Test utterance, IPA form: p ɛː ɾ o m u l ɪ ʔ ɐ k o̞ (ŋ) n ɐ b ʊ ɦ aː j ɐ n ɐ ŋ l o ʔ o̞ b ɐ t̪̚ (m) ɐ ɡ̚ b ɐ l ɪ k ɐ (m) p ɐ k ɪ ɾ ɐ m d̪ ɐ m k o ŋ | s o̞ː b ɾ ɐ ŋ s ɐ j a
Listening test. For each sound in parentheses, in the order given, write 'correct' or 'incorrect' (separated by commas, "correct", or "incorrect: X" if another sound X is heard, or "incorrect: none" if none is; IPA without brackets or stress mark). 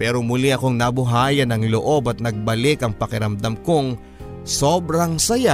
correct, incorrect: n, incorrect: ŋ